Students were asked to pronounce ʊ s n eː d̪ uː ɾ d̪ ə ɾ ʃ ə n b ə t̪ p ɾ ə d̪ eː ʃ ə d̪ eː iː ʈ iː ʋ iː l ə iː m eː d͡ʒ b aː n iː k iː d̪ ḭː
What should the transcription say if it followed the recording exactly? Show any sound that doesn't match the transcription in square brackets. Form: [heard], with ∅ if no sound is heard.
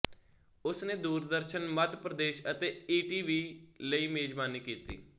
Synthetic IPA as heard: ʊ s n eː d̪ uː ɾ d̪ ə ɾ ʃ ə n [m] ə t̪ p ɾ ə d̪ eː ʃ ə [t̪] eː iː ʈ iː ʋ iː l ə iː m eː d͡ʒ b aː n iː k iː [t̪] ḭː